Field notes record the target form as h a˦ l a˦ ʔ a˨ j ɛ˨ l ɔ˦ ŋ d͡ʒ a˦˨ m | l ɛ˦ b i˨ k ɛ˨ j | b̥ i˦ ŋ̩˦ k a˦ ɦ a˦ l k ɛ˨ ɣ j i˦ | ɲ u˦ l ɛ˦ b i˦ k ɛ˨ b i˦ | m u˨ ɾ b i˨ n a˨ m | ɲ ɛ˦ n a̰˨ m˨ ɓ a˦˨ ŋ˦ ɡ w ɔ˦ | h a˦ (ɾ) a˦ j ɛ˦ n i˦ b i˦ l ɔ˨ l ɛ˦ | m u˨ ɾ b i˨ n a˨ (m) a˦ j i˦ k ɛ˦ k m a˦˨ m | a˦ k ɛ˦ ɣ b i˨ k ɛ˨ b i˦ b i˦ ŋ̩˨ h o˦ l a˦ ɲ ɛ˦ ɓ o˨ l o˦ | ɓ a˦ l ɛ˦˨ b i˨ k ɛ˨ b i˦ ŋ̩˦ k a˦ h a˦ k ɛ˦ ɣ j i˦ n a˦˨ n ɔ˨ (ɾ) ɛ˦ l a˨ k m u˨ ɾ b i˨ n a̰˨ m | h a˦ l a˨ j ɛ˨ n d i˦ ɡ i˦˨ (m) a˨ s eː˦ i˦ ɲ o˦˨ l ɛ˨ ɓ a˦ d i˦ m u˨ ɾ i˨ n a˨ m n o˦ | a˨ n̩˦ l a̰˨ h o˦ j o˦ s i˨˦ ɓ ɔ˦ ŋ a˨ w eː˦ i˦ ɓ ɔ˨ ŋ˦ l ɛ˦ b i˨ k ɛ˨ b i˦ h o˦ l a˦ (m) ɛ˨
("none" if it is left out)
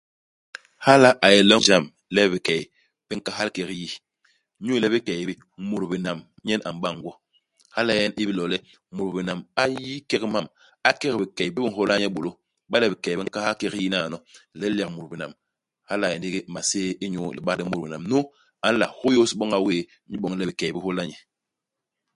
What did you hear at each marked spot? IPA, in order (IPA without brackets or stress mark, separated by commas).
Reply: l, m, l, m, ɲ